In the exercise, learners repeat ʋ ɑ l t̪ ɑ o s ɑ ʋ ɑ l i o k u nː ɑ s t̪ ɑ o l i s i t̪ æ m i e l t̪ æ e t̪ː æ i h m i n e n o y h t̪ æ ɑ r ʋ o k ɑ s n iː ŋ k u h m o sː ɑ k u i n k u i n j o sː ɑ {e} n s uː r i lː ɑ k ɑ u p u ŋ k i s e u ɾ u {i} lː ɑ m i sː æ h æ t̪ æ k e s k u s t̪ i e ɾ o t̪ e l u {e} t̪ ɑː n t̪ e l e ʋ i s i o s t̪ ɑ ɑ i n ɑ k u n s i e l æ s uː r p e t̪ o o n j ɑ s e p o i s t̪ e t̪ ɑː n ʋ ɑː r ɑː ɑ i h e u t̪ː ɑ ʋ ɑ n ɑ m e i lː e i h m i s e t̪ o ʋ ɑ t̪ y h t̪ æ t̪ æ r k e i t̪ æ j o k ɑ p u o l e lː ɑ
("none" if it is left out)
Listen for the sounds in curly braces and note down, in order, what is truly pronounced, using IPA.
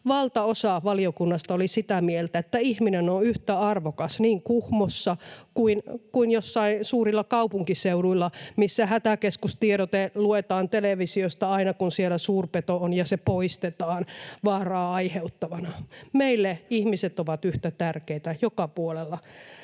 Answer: i, i, e

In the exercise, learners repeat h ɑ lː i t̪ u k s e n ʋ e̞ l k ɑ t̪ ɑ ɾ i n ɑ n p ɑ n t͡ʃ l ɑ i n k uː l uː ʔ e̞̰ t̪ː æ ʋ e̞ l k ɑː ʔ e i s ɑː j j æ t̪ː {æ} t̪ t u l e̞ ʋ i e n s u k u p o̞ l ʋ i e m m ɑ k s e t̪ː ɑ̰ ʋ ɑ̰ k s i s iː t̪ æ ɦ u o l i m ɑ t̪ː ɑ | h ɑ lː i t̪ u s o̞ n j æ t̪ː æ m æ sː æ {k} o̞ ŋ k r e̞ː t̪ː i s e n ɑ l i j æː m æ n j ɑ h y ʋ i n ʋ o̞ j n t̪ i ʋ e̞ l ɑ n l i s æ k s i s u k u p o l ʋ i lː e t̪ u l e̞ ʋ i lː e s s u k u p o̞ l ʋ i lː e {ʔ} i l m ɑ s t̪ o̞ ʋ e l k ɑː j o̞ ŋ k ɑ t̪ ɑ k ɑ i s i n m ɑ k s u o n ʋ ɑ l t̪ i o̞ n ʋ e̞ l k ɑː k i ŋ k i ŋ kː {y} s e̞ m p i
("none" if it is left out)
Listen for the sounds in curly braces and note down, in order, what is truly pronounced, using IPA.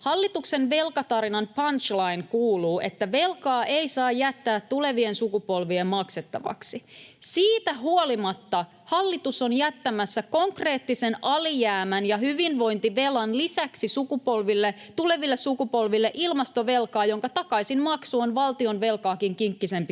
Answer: æː, k, ʔ, i

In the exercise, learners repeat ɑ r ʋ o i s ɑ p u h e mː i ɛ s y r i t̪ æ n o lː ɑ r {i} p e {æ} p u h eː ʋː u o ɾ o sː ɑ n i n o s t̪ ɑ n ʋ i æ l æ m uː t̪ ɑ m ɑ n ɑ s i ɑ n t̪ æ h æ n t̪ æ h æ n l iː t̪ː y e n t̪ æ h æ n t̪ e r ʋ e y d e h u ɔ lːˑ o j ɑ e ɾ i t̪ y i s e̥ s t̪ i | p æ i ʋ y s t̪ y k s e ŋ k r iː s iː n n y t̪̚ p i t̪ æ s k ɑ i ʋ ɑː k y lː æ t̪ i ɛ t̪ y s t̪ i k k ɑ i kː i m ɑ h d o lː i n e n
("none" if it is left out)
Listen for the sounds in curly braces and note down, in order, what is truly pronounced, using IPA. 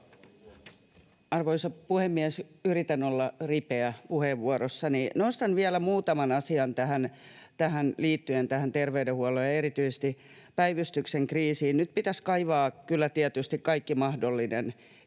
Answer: i, æ

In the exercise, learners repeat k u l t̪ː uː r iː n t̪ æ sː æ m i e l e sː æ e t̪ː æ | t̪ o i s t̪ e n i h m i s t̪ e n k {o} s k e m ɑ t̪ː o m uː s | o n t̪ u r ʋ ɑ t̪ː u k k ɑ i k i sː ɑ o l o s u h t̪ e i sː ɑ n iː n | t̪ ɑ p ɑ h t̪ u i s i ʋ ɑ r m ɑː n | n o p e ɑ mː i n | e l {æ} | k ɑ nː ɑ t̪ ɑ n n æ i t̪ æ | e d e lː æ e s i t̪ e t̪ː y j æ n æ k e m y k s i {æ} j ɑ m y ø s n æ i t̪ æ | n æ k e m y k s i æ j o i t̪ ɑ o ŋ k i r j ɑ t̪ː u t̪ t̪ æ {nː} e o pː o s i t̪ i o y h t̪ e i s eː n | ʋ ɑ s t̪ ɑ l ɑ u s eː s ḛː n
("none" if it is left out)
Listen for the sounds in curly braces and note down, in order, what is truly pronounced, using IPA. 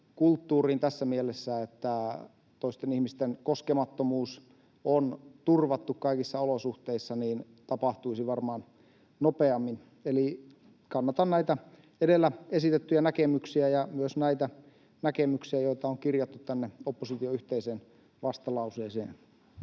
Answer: o, i, æ, nː

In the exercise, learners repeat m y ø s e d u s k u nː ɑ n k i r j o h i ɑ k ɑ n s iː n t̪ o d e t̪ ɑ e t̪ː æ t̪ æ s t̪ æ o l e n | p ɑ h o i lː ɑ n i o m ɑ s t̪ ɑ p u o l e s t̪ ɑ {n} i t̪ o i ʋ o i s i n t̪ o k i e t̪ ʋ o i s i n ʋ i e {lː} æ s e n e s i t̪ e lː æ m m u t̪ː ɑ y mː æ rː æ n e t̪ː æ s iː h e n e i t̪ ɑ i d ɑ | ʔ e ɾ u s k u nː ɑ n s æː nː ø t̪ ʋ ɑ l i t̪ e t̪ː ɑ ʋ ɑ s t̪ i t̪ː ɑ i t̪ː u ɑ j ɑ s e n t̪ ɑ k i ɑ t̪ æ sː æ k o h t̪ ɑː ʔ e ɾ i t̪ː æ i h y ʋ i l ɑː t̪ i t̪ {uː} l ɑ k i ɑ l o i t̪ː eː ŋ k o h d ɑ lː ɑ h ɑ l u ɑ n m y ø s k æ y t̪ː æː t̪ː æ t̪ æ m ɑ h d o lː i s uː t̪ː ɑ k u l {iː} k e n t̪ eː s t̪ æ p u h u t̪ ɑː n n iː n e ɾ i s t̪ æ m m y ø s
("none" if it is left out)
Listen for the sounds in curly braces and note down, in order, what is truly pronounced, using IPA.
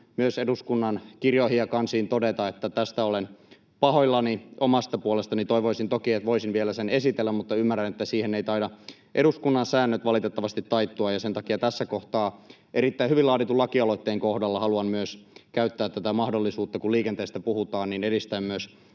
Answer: n, l, u, iː

